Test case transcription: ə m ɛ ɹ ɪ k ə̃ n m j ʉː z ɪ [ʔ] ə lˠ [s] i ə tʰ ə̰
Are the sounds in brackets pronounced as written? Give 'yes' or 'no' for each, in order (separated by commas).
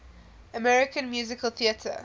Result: no, no